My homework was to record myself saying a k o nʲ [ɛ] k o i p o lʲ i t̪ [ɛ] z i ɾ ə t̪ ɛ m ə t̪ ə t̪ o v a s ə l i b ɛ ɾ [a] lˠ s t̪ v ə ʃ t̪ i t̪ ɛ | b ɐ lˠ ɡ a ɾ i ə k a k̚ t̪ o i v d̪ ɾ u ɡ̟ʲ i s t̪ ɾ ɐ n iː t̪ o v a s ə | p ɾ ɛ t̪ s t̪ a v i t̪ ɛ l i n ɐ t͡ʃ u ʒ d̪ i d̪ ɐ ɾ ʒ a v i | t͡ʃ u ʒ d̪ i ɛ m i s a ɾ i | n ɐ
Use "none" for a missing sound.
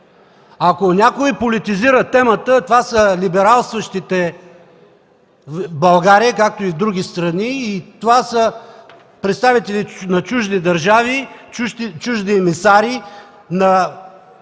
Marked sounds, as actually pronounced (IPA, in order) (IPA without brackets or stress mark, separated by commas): a, i, a